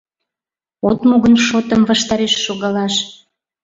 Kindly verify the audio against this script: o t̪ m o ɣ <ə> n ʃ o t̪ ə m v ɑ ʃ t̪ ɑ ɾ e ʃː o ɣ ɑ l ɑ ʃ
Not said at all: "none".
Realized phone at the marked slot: ə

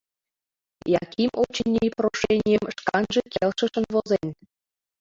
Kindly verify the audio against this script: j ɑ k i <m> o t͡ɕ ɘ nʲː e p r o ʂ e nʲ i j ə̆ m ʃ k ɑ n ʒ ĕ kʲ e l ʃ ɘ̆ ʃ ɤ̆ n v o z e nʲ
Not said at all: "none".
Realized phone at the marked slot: m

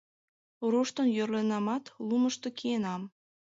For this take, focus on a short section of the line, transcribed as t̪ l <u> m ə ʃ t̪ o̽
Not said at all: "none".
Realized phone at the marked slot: u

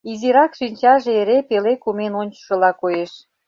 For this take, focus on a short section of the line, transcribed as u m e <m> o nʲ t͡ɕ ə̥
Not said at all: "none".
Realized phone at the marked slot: n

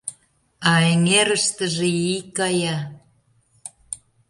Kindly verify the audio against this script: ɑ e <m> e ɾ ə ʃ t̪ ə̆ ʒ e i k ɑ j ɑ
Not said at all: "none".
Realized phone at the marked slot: ŋ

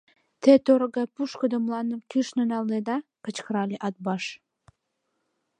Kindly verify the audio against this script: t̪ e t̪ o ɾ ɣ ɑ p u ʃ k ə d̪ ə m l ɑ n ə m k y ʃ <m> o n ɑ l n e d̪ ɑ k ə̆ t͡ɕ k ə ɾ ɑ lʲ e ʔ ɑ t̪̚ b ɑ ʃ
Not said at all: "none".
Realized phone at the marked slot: n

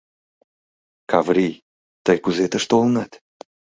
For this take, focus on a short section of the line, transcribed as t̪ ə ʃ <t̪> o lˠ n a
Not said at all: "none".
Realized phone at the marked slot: t̪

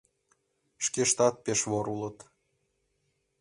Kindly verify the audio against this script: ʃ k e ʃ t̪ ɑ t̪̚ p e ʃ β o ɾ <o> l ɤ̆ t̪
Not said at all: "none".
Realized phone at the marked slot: u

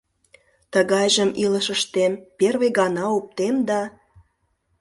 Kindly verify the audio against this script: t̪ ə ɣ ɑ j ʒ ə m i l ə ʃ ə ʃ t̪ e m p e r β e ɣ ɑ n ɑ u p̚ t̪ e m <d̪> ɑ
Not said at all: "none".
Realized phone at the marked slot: d̪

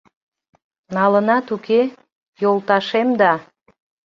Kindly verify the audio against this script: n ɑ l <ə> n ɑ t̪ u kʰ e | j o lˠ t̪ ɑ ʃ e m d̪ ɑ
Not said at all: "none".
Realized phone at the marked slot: ə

